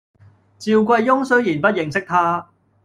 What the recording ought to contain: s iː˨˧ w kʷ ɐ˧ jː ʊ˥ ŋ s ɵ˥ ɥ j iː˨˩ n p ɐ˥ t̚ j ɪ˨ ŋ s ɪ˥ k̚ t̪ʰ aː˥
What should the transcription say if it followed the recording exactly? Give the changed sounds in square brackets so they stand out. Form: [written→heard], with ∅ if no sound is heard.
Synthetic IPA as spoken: [s→t͡s] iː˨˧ w kʷ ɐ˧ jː ʊ˥ ŋ s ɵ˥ ɥ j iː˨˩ n p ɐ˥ t̚ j ɪ˨ ŋ s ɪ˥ k̚ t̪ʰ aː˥